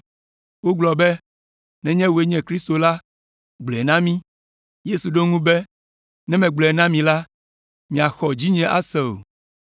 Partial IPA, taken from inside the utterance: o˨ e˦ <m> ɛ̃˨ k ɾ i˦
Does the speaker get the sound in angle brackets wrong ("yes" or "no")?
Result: yes